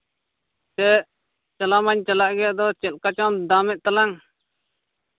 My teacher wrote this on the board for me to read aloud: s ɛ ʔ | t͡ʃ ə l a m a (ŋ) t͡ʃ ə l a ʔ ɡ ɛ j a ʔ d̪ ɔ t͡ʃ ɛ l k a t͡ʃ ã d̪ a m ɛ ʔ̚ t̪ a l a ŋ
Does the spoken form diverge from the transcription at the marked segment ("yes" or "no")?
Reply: yes